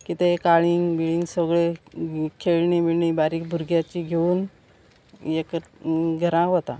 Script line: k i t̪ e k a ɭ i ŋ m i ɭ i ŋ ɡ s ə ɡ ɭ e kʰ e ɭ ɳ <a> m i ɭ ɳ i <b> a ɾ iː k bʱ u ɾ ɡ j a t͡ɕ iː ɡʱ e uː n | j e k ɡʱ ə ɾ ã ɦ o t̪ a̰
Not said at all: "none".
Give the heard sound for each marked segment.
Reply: i, b

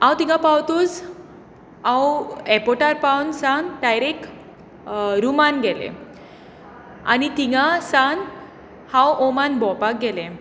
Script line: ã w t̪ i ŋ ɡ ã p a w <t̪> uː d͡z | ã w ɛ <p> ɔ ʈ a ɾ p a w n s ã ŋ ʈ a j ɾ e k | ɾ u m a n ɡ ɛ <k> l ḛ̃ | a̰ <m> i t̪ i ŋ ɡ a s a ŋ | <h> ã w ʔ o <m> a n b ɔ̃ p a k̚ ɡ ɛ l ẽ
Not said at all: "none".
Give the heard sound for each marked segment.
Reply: t̪, p, none, n, h, m

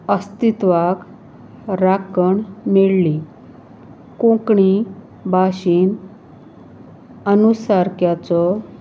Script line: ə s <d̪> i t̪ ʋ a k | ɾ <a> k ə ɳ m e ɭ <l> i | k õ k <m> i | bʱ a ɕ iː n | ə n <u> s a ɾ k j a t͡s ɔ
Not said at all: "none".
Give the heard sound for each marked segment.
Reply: t̪, a, l, ɳ, u

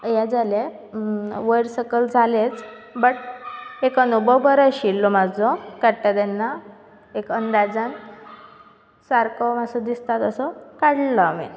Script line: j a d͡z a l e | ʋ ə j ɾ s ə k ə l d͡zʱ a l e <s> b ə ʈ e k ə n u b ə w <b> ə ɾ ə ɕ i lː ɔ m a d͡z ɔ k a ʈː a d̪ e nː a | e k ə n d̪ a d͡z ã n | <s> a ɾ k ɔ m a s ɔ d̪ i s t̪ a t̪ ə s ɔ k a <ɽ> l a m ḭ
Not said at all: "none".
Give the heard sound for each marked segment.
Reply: t͡s, b, s, ɽ

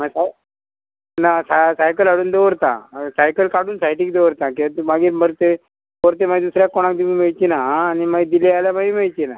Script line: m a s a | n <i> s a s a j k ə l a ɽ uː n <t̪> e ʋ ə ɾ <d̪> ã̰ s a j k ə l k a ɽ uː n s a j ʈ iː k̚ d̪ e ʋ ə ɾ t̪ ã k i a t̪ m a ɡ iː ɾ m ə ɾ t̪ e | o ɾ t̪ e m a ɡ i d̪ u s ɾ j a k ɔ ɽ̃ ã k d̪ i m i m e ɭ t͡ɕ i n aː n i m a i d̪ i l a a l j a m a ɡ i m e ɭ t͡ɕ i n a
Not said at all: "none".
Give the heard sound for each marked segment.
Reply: a, d̪, t̪

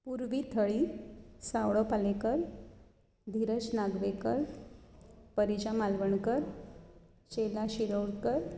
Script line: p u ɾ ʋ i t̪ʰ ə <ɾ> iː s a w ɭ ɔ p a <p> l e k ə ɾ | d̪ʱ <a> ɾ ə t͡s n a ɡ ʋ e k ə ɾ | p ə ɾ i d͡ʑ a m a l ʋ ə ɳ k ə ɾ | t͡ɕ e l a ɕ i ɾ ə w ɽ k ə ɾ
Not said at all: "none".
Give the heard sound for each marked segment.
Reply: ɭ, none, i

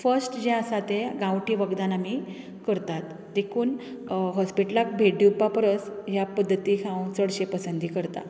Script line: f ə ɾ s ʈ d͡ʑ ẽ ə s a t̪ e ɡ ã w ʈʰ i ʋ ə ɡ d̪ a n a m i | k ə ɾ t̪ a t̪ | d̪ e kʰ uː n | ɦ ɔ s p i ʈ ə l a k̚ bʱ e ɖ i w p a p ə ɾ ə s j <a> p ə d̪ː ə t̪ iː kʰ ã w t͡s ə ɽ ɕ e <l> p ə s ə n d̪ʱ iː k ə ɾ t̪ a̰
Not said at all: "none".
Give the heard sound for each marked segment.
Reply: a, none

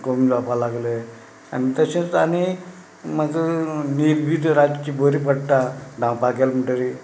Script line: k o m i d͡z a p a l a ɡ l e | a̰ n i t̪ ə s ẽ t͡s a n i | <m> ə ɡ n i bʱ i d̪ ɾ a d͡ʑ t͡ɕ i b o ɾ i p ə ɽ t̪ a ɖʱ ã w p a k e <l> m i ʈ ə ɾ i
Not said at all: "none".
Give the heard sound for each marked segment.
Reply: m, l

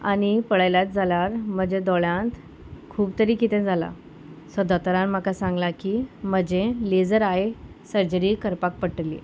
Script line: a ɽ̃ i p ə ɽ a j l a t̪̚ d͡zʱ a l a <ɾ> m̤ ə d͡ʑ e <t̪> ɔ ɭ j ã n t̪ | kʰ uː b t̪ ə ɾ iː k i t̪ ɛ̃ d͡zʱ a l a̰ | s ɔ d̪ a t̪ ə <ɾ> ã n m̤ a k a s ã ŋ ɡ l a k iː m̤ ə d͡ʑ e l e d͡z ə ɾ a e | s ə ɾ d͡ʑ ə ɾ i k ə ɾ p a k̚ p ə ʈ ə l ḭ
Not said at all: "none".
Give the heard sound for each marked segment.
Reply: ɾ, d̪, ɾ

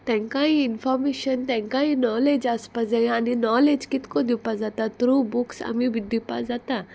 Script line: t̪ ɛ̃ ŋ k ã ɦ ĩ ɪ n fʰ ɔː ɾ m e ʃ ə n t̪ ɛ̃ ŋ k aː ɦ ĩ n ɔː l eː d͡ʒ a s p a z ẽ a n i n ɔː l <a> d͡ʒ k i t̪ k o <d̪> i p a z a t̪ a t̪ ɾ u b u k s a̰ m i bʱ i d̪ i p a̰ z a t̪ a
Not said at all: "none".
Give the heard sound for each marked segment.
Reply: e, d̪

